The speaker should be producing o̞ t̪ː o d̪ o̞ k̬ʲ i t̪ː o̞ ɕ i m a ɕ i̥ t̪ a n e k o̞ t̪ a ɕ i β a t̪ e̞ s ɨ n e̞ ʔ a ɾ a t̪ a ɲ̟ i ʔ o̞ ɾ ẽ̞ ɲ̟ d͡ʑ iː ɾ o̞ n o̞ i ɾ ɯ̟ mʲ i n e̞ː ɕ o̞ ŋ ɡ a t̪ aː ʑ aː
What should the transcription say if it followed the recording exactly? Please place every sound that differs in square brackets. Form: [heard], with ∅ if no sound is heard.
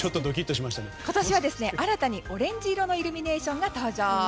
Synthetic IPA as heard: o̞ t̪ː o d̪ o̞ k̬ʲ i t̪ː o̞ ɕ i m a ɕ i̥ t̪ a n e k o̞ t̪ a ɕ i β a [d̪] e̞ s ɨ n e̞ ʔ a ɾ a t̪ a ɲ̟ i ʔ o̞ ɾ ẽ̞ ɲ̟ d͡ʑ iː ɾ o̞ n o̞ i ɾ ɯ̟ mʲ i n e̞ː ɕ [õ̞] ŋ ɡ a t̪ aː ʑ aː

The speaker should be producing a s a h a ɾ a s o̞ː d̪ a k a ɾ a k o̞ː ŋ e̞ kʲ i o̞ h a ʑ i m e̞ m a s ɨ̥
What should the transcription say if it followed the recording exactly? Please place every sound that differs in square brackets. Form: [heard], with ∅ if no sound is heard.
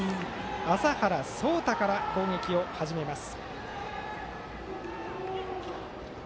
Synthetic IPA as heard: a s a h a ɾ a s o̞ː [t̪] a k a ɾ a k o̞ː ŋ e̞ kʲ i o̞ h a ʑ i m e̞ m a s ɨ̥

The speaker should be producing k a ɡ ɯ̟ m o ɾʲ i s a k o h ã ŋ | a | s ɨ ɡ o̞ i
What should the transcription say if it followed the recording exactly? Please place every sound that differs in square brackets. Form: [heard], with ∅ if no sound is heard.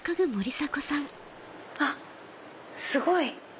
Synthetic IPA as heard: k a ɡ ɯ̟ m o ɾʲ i s a k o [s] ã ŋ | a | s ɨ ɡ o̞ i

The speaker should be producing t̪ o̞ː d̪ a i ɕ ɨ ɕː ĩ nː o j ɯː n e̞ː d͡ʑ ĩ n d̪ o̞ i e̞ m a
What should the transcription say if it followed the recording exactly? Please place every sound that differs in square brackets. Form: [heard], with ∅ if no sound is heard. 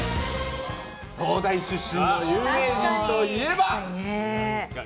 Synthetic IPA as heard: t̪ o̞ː d̪ a i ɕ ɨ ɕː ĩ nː o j ɯː [m] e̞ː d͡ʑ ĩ n [t̪] o̞ i e̞ [b] a

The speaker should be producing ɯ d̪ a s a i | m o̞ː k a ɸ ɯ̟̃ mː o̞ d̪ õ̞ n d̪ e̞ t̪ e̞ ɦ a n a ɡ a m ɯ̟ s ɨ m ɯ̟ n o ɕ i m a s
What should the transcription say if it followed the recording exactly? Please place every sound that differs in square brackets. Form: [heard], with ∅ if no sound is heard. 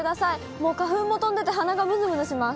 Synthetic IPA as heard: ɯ d̪ a s a i | m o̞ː k a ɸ ɯ̟̃ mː o̞ [t̪] õ̞ n d̪ e̞ t̪ e̞ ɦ a n a ɡ a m ɯ̟ [z] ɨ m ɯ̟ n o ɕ i m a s

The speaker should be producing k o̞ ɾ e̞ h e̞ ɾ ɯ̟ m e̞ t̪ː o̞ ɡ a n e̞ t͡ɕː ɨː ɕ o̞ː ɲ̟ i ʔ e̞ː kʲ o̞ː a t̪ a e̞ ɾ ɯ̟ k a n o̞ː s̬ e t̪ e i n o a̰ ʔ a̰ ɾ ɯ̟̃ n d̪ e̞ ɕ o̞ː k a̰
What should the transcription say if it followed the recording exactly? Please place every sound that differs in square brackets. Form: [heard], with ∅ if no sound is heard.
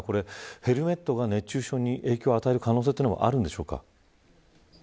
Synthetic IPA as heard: k o̞ ɾ e̞ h e̞ ɾ ɯ̟ m e̞ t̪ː o̞ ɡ a n e̞ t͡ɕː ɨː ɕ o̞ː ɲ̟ i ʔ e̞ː kʲ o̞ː a t̪ a e̞ ɾ ɯ̟ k a n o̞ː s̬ e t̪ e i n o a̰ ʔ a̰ ɾ ɯ̟̃ n d̪ e̞ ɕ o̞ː k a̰

